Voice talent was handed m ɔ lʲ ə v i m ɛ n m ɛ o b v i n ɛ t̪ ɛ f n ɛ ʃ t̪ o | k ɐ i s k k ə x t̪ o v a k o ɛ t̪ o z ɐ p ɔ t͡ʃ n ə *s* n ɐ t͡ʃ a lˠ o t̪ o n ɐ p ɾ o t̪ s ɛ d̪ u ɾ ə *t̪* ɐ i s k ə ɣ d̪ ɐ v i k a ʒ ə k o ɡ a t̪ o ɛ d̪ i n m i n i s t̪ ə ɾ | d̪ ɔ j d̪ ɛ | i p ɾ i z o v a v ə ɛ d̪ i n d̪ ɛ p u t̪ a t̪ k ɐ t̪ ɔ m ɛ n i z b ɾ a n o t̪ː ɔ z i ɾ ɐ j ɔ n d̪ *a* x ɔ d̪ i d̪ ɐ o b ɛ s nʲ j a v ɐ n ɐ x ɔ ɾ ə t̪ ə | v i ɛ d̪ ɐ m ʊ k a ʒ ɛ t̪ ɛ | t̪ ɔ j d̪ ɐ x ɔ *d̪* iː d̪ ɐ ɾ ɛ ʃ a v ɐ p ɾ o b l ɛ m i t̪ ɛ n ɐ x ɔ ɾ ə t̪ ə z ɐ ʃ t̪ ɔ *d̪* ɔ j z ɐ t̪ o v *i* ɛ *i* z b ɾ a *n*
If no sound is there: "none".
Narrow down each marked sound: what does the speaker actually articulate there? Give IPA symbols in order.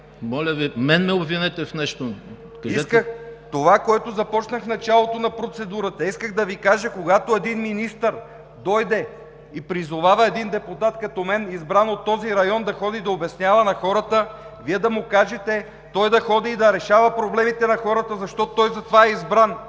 x, t̪, ɐ, d̪, t̪, a, i, n

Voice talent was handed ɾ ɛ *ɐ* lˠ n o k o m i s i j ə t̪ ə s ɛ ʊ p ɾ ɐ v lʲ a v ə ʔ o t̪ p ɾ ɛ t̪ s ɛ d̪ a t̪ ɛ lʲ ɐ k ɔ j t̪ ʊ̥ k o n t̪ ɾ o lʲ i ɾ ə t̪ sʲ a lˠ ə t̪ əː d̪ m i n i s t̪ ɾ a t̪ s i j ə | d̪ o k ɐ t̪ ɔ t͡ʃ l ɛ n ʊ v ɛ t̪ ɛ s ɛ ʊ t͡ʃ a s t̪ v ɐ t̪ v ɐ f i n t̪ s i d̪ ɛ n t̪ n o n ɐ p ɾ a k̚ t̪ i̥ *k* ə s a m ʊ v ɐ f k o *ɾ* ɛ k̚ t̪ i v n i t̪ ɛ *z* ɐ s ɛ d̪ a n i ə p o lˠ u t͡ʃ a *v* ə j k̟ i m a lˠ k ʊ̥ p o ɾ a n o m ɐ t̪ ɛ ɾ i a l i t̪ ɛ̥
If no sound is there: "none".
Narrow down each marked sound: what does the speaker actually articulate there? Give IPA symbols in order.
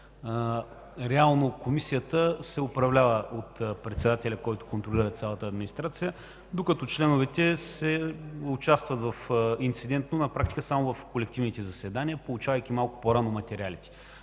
a, k, l, z, v

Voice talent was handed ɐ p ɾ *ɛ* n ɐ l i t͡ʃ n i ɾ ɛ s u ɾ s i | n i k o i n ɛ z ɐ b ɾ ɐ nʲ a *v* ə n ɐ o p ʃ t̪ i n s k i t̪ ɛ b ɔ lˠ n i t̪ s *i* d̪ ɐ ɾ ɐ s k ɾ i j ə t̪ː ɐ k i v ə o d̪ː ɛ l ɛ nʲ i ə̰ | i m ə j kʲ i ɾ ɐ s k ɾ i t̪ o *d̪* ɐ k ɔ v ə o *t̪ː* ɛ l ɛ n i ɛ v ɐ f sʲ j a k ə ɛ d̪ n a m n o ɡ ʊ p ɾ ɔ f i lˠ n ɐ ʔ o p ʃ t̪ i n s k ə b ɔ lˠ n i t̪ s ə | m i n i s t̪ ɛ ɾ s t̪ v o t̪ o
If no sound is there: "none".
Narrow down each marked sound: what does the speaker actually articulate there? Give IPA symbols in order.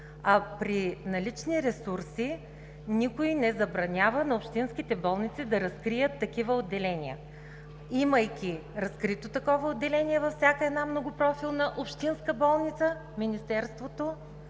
i, v, i, t̪, d̪ː

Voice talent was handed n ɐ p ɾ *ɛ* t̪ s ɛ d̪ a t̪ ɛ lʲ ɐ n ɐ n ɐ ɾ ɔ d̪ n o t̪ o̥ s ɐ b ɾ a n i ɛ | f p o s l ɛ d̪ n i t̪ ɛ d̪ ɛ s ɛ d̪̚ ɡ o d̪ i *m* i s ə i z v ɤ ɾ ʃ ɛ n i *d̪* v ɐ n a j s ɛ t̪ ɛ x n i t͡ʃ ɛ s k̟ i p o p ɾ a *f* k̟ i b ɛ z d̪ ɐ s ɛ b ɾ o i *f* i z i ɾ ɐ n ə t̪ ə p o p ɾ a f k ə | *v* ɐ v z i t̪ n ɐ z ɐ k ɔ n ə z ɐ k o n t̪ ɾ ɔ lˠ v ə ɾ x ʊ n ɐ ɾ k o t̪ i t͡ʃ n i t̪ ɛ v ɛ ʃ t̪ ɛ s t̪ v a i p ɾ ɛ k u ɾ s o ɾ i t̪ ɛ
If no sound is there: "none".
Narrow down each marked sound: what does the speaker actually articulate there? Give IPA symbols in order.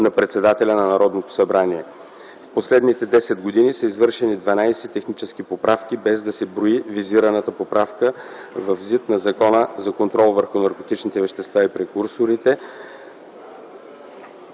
ɛ, n, d̪, f, v, v

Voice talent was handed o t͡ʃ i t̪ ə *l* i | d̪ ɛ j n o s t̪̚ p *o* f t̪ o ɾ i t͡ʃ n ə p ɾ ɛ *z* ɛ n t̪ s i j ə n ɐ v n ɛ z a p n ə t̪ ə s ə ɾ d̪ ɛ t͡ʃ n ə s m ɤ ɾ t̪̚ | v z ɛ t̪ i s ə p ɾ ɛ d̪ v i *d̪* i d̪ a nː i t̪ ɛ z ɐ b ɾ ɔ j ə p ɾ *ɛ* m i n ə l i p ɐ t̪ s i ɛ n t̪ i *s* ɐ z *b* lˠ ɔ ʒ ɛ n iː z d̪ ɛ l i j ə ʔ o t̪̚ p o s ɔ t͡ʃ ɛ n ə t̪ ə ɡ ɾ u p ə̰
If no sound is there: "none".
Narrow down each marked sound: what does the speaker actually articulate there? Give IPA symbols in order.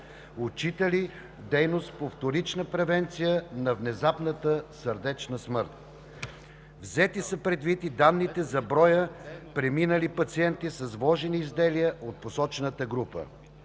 l, o, v, t̪, ɛ, s, v

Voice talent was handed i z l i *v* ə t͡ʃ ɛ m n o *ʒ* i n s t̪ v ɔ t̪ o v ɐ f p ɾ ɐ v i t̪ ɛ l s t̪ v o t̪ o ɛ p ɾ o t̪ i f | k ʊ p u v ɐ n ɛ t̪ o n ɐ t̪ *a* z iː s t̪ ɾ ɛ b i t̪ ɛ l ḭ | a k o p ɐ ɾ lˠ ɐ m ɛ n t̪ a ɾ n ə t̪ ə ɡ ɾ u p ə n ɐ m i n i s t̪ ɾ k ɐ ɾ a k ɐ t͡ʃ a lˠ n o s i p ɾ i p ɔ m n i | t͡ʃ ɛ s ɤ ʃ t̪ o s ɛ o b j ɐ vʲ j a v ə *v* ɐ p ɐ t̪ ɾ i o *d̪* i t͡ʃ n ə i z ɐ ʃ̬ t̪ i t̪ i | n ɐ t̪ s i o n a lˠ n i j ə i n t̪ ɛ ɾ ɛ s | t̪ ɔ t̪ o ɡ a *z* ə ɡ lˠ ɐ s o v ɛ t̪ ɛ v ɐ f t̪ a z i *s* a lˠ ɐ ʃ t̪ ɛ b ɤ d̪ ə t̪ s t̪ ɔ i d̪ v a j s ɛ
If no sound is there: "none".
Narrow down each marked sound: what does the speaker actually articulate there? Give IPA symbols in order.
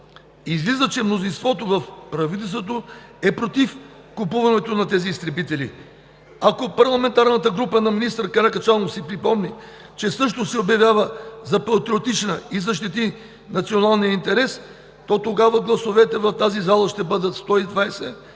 z, z, ɛ, z, t̪, v, z

